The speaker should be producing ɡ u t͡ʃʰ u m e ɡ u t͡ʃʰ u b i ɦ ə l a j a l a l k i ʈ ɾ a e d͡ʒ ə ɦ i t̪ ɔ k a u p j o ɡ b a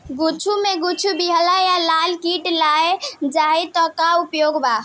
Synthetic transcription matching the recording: ɡ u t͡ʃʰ u m e ɡ u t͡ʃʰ u b i ɦ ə l a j a l a l k i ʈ l a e d͡ʒ a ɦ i t̪ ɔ k a u p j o ɡ b a